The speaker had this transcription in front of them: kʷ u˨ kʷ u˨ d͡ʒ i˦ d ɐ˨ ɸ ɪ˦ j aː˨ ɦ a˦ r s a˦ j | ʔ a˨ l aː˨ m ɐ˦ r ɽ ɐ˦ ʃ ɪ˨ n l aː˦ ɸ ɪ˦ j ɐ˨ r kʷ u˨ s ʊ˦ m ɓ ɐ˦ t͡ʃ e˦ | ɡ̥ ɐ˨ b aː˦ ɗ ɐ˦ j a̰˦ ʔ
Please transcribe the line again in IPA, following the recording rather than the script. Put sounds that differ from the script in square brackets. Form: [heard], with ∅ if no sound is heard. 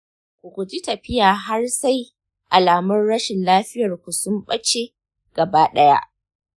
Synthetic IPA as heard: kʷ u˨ kʷ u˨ d͡ʒ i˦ [t] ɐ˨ ɸ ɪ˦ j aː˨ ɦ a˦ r s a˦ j | ʔ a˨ l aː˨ m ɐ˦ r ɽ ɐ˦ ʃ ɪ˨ n l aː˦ ɸ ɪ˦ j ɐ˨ r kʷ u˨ s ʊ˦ m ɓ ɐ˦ t͡ʃ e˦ | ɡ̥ ɐ˨ b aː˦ ɗ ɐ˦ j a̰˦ ʔ

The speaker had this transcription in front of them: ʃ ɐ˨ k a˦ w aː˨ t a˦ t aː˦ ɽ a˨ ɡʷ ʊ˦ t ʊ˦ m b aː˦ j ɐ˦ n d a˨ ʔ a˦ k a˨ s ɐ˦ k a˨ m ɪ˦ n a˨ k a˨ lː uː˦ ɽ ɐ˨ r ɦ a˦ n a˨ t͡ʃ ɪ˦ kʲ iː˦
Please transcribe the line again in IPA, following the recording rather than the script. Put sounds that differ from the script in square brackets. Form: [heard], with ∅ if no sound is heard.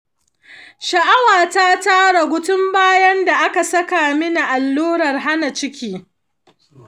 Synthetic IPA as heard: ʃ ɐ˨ [ʔ] a˦ w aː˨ t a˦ t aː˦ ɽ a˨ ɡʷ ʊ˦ t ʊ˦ m b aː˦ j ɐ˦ n d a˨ ʔ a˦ k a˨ s ɐ˦ k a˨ m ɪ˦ n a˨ [ʔ] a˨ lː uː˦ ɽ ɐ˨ r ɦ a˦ n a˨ t͡ʃ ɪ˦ kʲ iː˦

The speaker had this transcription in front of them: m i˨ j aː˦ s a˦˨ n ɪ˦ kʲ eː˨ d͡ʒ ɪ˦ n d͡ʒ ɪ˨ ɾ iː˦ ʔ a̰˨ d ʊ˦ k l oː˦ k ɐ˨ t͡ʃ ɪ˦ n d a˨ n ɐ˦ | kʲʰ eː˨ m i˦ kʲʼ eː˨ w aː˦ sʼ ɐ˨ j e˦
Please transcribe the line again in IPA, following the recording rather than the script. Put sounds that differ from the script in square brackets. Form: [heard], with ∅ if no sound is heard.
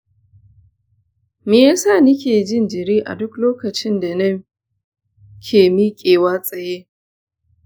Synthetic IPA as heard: m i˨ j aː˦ s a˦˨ n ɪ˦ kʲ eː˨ d͡ʒ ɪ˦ n d͡ʒ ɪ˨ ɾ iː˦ ʔ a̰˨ d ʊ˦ k l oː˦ k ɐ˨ t͡ʃ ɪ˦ n d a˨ n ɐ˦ | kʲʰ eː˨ m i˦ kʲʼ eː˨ w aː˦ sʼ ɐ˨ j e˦

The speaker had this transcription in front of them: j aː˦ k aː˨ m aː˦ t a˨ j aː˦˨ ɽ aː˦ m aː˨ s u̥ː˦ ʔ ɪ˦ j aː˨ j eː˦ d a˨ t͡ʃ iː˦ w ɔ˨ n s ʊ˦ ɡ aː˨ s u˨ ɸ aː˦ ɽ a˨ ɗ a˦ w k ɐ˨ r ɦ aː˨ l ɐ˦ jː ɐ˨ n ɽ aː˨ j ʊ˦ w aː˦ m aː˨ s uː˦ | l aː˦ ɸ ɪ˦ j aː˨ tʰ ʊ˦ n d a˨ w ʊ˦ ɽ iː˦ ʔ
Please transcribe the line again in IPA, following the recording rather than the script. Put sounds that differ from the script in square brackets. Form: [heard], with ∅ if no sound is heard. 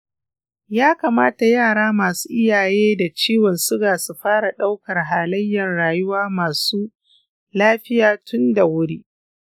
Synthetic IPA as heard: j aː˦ k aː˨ m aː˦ t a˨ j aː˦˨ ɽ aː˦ m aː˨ s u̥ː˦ ʔ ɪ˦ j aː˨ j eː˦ d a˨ t͡ʃ iː˦ w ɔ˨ n s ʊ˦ ɡ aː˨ s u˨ ɸ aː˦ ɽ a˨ ɗ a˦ w k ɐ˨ r ɦ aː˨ l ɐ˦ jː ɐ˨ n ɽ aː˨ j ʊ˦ w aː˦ m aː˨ s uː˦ | l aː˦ ɸ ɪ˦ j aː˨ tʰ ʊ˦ n d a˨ w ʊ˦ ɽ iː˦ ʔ

